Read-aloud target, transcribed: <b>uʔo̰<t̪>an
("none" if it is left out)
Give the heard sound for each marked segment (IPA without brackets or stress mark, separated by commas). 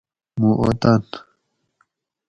m, t̪